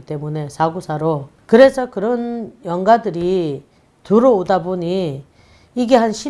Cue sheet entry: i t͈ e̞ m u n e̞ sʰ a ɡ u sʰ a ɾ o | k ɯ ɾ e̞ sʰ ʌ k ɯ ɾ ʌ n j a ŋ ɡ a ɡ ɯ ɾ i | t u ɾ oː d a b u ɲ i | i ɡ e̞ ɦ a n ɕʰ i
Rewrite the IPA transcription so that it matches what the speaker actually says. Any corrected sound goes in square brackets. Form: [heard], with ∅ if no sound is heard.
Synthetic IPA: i t͈ e̞ m u n e̞ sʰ a ɡ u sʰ a ɾ o | k ɯ ɾ e̞ sʰ ʌ k ɯ ɾ ʌ n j [ʌ] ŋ ɡ a [d] ɯ ɾ i | t u ɾ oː d a b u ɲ i | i ɡ e̞ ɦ a n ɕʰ i

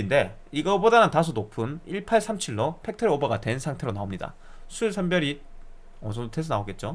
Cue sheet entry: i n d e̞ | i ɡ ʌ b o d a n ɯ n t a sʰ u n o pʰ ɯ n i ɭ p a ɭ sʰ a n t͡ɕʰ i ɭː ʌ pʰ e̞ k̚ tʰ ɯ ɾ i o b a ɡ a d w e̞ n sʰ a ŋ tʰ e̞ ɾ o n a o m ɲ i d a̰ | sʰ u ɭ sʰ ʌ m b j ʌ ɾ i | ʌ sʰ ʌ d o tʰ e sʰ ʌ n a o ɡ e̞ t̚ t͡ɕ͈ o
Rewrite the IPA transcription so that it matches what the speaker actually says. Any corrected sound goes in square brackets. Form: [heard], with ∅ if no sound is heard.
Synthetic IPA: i n d e̞ | i ɡ ʌ b o d a n ɯ n t a sʰ u n o pʰ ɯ n i ɭ [pʰ] a ɭ sʰ a [m] t͡ɕʰ i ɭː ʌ pʰ e̞ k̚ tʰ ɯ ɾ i o b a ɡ a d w e̞ n sʰ a ŋ tʰ e̞ ɾ o n a o m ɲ i d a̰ | sʰ u ɭ sʰ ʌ m b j ʌ ɾ i | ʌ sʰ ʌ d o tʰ e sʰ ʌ n a o ɡ e̞ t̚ t͡ɕ͈ o

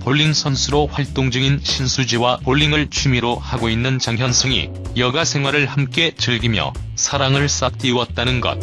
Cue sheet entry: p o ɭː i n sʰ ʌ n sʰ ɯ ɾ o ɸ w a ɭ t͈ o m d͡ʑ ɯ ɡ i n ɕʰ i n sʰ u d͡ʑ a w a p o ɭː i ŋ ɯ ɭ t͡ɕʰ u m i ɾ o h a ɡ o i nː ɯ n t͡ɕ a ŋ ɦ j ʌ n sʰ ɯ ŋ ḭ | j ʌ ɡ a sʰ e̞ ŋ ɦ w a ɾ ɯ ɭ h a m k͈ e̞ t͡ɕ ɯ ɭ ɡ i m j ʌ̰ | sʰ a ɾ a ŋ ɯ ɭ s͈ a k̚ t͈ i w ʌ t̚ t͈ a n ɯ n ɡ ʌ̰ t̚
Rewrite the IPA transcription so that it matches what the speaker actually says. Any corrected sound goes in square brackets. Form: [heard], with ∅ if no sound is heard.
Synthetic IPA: p o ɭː i [ŋ] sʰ ʌ n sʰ ɯ ɾ o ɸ w a ɭ t͈ o [ŋ] d͡ʑ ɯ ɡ i n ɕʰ i n sʰ u d͡ʑ [i] w a p o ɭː i ŋ ɯ ɭ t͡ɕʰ u m i ɾ o h a ɡ o i nː ɯ n t͡ɕ a ŋ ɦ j ʌ n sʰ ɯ ŋ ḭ | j ʌ ɡ a sʰ e̞ ŋ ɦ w a ɾ ɯ ɭ h a m k͈ e̞ t͡ɕ ɯ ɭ ɡ i m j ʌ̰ | sʰ a ɾ a ŋ ɯ ɭ s͈ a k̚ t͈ i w ʌ t̚ t͈ a n ɯ n ɡ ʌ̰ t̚

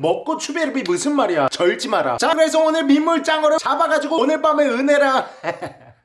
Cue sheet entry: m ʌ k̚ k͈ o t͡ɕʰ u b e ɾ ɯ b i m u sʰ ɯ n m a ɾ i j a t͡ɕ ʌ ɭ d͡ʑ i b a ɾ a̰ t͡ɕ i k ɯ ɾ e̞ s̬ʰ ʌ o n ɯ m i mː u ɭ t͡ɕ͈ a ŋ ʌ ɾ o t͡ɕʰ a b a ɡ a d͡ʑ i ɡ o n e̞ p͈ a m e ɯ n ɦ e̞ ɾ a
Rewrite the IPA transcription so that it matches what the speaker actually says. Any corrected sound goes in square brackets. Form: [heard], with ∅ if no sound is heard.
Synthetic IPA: m ʌ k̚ k͈ o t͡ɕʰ u b e ɾ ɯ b i m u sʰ ɯ n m a ɾ i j a t͡ɕ ʌ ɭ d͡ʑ i [m] a ɾ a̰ t͡ɕ [a] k ɯ ɾ e̞ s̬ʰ ʌ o n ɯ m i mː u ɭ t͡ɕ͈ a ŋ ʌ ɾ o [t͡ɕ] a b a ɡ a d͡ʑ i ɡ o n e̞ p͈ a m e ɯ n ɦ e̞ ɾ a

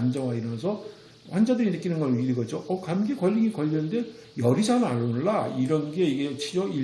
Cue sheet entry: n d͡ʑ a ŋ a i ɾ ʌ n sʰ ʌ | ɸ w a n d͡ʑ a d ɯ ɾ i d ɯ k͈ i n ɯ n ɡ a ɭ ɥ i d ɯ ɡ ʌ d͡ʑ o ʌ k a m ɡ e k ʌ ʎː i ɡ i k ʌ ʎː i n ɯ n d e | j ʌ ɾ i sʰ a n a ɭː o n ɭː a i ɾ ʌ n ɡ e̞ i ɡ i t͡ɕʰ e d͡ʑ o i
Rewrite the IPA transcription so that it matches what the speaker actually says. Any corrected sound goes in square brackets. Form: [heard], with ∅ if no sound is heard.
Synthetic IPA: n d͡ʑ [ʌ] ŋ a i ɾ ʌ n sʰ ʌ | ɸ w a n d͡ʑ a d ɯ ɾ i [n] ɯ k͈ i n ɯ n ɡ [ʌ] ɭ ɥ i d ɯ ɡ ʌ d͡ʑ o ʌ k a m ɡ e k ʌ ʎː i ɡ i k ʌ ʎː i n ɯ n d e | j ʌ ɾ i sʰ a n a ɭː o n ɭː a i ɾ ʌ n ɡ e̞ i ɡ [e] t͡ɕʰ [i] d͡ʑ o i

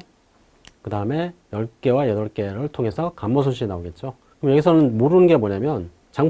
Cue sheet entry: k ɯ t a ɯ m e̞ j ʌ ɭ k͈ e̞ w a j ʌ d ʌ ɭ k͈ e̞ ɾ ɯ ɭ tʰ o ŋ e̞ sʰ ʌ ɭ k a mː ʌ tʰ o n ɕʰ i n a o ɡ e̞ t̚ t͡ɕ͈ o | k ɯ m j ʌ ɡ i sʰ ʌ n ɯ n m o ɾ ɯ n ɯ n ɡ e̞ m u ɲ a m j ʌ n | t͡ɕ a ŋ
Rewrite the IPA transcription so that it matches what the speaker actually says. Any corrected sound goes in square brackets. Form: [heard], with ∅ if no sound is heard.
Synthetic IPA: k ɯ [d] a ɯ m e̞ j ʌ ɭ k͈ e̞ w a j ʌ d ʌ ɭ k͈ e̞ ɾ ɯ ɭ tʰ o ŋ e̞ sʰ ʌ [∅] k a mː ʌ [sʰ] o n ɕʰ i n a o ɡ e̞ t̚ t͡ɕ͈ o | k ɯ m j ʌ ɡ i sʰ ʌ n ɯ n m o ɾ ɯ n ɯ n ɡ e̞ m [o] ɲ a m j ʌ n | t͡ɕ a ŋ

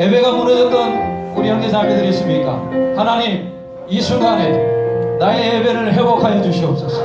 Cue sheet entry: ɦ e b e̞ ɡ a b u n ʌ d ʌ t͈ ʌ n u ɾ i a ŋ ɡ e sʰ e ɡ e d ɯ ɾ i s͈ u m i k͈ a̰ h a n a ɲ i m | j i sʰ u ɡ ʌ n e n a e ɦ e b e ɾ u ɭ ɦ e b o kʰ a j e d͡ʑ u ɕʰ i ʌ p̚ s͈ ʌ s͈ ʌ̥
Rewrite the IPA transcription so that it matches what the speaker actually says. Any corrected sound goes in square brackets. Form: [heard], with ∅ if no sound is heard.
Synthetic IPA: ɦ e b e̞ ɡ a [m] u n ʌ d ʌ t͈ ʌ n u ɾ i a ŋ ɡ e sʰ [a] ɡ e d ɯ ɾ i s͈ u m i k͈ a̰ h a n a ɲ i m | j i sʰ u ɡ [a] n e n a e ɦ e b e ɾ [ɯ] ɭ ɦ e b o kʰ a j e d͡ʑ u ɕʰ i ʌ p̚ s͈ ʌ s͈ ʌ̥

